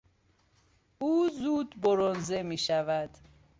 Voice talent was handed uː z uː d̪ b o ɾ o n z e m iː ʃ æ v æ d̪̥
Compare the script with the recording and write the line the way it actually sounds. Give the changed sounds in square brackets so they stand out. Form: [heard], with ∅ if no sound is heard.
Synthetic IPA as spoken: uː z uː d̪ b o ɾ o n z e m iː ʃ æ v æ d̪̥